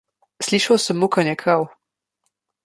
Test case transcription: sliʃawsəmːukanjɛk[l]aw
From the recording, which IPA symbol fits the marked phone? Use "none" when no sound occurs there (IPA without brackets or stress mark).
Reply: ɾ